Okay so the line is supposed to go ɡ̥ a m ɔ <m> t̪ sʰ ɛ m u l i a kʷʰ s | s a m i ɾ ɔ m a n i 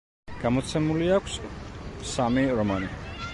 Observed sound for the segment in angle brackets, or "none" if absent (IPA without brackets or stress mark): none